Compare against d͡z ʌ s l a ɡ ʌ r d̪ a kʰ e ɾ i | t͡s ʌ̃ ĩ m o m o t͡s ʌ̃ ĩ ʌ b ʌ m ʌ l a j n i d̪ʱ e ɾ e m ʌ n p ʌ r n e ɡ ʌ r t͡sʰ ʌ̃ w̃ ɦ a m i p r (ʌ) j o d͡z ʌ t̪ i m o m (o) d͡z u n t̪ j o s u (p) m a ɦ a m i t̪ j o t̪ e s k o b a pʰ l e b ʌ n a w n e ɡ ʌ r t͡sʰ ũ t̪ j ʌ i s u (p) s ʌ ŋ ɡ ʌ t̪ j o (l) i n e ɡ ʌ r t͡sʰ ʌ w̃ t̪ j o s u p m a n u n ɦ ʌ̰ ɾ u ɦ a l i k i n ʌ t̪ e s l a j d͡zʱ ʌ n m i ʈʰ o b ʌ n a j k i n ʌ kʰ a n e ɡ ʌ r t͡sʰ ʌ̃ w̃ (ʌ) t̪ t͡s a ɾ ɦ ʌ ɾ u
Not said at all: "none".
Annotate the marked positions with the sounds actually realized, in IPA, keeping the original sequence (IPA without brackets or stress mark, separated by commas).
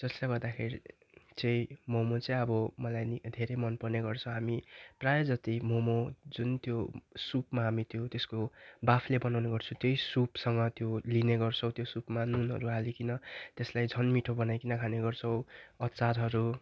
a, o, p, p, l, ʌ